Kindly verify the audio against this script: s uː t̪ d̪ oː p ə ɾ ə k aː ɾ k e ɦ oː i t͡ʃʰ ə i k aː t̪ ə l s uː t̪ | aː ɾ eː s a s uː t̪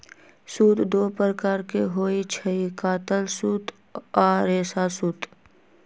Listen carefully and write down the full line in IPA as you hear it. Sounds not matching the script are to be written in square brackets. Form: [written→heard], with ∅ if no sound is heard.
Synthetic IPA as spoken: s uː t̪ d̪ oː p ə ɾ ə k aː ɾ k e ɦ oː i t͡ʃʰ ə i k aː t̪ ə l s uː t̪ | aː ɾ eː s a s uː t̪